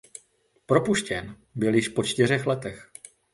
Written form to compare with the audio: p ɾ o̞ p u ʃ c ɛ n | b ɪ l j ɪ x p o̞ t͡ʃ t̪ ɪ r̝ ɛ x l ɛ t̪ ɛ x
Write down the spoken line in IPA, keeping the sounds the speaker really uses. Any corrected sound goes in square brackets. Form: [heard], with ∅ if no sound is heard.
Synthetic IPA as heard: p ɾ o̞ p u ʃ c ɛ n | b ɪ l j ɪ [ʃ] p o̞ t͡ʃ t̪ ɪ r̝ ɛ x l ɛ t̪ ɛ x

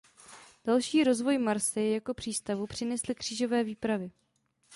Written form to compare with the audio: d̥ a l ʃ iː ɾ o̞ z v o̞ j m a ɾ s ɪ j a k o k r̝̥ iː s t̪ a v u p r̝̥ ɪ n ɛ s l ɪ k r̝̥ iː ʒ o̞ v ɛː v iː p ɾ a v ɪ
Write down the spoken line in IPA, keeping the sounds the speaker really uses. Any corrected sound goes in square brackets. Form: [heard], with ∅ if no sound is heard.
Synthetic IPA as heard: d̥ a l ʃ iː ɾ o̞ z v o̞ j m a ɾ s ɪ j a k o [p] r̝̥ iː s t̪ a v u p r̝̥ ɪ n ɛ s l ɪ k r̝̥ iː ʒ o̞ v ɛː v iː p ɾ a v ɪ

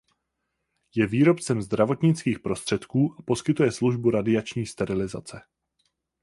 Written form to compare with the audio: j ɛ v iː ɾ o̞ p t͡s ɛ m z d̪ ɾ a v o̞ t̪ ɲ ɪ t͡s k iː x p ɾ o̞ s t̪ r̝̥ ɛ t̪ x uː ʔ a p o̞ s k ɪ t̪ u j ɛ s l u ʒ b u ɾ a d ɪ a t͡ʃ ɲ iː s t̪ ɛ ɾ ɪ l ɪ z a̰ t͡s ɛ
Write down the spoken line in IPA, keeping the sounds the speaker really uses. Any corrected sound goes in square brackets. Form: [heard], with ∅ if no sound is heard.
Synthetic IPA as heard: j ɛ v iː ɾ o̞ p t͡s ɛ m z d̪ ɾ a v o̞ t̪ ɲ ɪ t͡s k iː x p ɾ o̞ s t̪ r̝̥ ɛ t̪ [k] uː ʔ a p o̞ s k ɪ t̪ u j ɛ s l u ʒ b u ɾ a d ɪ a t͡ʃ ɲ iː s t̪ ɛ ɾ ɪ l ɪ z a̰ t͡s ɛ

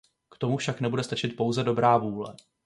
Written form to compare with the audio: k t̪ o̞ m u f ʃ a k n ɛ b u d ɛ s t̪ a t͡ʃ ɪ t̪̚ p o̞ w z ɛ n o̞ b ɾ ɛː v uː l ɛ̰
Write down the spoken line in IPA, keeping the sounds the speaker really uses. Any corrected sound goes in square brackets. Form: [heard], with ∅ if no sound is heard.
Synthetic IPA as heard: k t̪ o̞ m u f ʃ a k n ɛ b u d ɛ s t̪ a t͡ʃ ɪ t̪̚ p o̞ w z ɛ [d] o̞ b ɾ [aː] v uː l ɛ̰

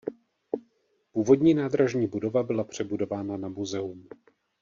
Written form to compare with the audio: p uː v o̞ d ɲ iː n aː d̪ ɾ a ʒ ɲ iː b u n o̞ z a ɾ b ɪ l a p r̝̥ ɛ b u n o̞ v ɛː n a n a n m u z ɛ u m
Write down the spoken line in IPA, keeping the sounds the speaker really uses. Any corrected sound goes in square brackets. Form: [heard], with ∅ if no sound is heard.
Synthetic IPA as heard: p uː v o̞ d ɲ iː n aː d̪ ɾ a ʒ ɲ iː b u [d] o̞ [v] a [∅] b ɪ l a p r̝̥ ɛ b u [d] o̞ v [aː] n a n a [∅] m u z ɛ u m

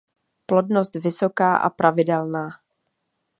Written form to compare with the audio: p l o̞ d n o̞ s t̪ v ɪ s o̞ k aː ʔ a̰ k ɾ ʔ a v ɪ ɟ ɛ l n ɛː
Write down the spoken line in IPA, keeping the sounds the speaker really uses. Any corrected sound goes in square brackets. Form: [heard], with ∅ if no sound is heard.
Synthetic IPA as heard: p l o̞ d n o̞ s t̪ v ɪ s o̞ k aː ʔ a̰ [p] ɾ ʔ a v ɪ [d] ɛ l n [aː]

